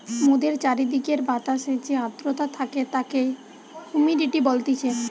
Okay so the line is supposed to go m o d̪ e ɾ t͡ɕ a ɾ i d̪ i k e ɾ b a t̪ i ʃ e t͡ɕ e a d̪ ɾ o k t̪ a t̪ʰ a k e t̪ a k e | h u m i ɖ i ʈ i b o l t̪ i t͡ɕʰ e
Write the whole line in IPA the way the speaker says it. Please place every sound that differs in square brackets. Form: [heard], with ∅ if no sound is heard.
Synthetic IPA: m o d̪ e ɾ t͡ɕ a ɾ i d̪ i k e ɾ b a t̪ [a] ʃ e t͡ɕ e a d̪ ɾ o [∅] t̪ a t̪ʰ a k e t̪ a k e | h u m i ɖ i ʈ i b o l t̪ i t͡ɕʰ e